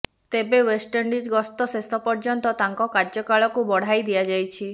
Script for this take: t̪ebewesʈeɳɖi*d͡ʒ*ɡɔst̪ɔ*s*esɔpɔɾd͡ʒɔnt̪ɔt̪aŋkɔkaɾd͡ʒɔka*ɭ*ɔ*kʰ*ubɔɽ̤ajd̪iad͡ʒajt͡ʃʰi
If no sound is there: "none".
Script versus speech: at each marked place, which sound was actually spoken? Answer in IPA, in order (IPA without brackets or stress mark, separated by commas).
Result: d͡ʒ, s, ɭ, k